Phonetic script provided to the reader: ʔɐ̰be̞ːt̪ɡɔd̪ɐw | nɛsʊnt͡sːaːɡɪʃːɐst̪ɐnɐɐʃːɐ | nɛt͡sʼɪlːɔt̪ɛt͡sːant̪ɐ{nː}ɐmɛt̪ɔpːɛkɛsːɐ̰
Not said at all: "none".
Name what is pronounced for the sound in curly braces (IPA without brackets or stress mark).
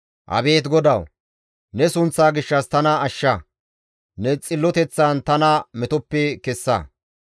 n